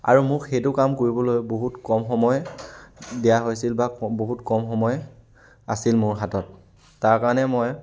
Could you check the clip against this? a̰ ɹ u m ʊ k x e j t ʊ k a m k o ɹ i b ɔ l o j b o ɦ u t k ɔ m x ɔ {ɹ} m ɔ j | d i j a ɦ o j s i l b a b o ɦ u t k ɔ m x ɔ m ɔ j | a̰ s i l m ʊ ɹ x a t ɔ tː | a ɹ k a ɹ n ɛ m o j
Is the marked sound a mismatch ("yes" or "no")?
yes